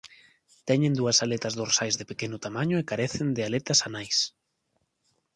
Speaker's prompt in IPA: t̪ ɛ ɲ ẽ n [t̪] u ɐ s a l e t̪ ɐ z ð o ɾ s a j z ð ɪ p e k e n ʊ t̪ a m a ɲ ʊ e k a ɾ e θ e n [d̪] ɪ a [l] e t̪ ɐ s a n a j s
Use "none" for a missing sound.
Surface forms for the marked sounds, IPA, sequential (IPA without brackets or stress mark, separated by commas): d̪, d̪, l